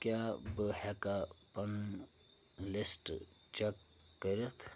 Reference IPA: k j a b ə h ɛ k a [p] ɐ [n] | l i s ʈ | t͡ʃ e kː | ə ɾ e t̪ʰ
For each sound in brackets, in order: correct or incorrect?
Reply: correct, correct

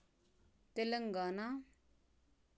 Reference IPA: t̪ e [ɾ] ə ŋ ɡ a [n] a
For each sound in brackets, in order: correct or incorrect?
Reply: incorrect, correct

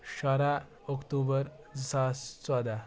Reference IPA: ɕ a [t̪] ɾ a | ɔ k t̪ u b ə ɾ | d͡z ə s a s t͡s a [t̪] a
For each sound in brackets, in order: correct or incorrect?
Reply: incorrect, incorrect

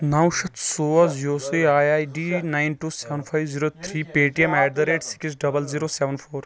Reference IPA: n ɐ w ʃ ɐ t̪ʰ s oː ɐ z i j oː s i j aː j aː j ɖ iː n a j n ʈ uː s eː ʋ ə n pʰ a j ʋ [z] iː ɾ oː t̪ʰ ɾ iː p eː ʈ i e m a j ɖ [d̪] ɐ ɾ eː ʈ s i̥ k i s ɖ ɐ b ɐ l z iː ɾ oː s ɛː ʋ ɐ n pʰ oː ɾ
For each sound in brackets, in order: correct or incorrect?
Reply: correct, correct

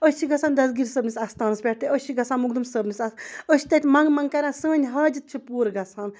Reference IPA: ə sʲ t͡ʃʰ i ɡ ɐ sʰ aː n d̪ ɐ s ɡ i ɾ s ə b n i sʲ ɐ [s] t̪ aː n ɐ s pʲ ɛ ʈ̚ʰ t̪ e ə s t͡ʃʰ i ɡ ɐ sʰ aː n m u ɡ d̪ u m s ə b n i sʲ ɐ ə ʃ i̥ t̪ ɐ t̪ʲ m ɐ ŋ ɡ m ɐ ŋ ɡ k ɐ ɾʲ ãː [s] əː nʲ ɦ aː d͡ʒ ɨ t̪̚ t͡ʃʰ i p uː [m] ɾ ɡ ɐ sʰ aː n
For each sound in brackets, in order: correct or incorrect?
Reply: correct, correct, incorrect

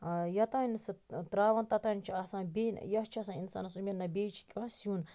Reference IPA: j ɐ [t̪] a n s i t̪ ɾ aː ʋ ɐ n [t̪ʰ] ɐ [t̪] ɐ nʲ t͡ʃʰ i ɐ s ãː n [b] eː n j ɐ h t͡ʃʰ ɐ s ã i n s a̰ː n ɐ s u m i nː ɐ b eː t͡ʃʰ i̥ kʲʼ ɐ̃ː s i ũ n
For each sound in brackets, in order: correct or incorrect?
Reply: correct, incorrect, correct, correct

